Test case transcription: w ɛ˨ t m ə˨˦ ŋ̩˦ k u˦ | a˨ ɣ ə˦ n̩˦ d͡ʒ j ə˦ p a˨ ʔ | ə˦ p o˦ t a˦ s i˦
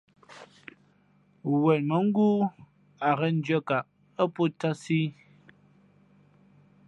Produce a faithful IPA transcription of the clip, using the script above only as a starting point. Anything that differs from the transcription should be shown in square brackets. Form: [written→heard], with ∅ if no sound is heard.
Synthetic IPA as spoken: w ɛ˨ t m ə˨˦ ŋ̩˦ [k→ɡ] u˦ | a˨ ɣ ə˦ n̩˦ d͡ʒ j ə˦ [p→k] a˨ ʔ | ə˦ p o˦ t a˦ s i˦